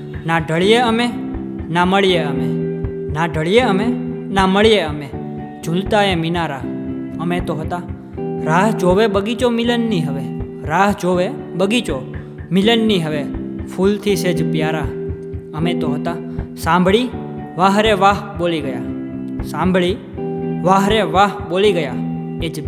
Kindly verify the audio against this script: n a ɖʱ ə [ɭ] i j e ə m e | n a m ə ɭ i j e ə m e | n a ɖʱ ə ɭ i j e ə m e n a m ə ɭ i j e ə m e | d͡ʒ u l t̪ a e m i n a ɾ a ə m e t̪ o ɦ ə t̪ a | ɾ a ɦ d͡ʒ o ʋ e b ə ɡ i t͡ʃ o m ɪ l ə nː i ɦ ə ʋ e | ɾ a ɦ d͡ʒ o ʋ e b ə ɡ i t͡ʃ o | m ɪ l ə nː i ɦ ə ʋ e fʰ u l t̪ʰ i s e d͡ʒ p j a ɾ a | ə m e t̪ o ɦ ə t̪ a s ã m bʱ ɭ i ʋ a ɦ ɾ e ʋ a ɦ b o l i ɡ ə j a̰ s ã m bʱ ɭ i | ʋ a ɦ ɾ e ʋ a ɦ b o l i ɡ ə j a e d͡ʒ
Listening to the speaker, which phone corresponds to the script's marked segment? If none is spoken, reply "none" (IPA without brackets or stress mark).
ɭ